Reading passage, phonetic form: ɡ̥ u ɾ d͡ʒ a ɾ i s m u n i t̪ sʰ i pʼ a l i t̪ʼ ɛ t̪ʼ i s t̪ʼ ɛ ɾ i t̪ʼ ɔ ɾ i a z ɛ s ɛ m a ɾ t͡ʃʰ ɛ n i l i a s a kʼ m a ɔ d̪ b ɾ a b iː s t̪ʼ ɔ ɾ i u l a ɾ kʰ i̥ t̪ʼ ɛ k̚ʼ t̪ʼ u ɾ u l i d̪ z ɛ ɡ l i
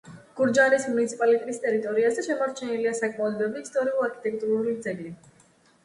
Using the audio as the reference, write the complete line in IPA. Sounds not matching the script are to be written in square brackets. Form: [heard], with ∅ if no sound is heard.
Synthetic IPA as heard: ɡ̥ u ɾ d͡ʒ a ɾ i s m u n i t̪ sʰ i pʼ a l i t̪ʼ ɛ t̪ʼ i s t̪ʼ ɛ ɾ i t̪ʼ ɔ ɾ i a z ɛ [ʃ] ɛ m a ɾ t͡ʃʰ ɛ n i l i a s a kʼ m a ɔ d̪ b ɾ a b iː s t̪ʼ ɔ ɾ i u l a ɾ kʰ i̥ t̪ʼ ɛ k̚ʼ t̪ʼ u ɾ u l i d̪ z ɛ ɡ l i